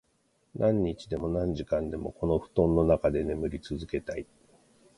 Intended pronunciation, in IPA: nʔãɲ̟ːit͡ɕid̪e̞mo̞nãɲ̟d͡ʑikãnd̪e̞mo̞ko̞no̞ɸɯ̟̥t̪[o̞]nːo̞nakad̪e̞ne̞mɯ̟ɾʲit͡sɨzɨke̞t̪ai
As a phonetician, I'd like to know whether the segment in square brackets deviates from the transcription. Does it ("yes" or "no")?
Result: yes